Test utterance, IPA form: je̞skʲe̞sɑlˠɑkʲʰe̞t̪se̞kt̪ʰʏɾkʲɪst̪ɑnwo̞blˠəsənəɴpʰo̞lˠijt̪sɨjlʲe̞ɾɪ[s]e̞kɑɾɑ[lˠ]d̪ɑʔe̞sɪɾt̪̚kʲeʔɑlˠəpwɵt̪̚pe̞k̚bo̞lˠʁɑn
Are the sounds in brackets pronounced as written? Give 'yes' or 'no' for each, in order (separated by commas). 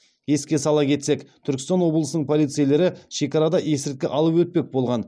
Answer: no, no